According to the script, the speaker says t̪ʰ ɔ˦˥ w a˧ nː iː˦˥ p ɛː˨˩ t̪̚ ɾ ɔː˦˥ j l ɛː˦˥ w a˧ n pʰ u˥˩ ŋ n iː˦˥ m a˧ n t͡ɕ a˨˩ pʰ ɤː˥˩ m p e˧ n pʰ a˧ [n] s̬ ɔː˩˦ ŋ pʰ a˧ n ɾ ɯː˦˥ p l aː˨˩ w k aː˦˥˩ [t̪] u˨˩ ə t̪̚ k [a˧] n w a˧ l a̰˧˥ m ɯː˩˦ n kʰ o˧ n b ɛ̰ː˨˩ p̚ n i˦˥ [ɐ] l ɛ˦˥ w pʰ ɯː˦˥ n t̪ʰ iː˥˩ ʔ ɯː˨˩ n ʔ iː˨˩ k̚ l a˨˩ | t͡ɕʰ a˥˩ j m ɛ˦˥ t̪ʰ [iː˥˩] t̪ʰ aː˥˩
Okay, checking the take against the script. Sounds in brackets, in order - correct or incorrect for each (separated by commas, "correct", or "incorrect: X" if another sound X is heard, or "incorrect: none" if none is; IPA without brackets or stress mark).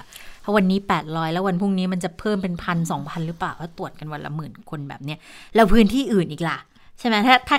correct, correct, correct, correct, incorrect: aː˥˩